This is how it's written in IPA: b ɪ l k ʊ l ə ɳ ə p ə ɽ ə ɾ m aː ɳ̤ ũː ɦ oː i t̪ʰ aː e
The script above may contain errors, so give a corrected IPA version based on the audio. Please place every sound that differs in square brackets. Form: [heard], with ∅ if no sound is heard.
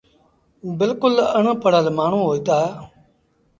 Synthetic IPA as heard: b ɪ l k ʊ l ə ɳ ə p ə ɽ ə [l] m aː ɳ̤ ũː ɦ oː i [t̪] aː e